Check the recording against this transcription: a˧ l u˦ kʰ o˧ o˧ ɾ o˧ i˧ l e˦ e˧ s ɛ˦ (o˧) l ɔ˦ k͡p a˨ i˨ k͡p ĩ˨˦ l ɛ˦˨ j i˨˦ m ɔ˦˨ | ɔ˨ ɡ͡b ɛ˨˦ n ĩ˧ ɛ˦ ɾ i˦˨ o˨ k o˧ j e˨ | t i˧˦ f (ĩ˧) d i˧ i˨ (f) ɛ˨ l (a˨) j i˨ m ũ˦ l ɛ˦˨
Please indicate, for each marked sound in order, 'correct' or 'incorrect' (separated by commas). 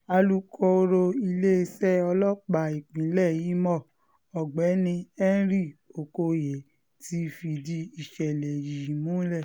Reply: incorrect, incorrect, incorrect, incorrect